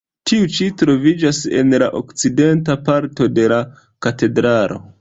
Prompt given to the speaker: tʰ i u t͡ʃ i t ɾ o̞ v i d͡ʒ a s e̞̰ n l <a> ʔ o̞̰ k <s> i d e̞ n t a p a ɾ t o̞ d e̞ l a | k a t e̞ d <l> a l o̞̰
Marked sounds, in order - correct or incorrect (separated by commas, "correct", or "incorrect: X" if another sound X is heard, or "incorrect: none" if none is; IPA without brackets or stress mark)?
correct, incorrect: t͡s, incorrect: ɾ